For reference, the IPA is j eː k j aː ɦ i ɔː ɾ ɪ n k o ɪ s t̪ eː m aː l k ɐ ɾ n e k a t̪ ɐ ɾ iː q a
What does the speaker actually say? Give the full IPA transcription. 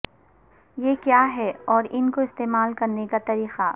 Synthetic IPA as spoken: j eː k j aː ɦ ɛ ɔː ɾ ɪ n k o ɪ s t̪ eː m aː l k ɐ ɾ n e k a t̪ ɐ ɾ iː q a